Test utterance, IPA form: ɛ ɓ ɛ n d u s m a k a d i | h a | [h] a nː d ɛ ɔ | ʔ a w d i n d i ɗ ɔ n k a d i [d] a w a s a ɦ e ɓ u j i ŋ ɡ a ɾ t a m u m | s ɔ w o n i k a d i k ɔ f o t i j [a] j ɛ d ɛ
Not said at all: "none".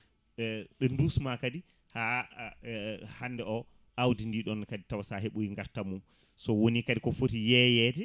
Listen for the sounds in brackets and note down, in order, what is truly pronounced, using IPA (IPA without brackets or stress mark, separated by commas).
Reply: h, t, ɛ